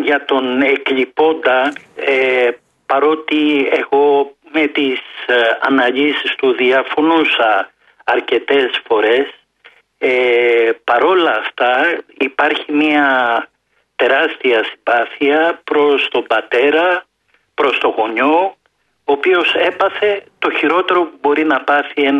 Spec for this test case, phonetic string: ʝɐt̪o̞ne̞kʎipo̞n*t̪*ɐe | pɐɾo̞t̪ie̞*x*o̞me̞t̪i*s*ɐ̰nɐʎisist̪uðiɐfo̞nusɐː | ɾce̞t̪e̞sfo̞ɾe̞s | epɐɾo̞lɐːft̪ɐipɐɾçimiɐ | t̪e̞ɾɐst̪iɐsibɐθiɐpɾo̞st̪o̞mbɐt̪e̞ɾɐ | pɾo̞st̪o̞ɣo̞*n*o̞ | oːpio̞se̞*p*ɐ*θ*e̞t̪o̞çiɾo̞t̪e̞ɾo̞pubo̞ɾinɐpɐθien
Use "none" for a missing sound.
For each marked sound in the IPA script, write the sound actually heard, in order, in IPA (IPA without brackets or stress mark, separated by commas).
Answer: d̪, ɣ, s, ɲ, p, θ